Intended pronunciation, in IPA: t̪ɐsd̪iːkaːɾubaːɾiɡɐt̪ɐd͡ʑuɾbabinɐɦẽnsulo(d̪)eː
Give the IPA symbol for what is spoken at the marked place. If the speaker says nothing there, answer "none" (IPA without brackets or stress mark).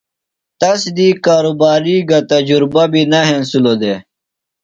d̪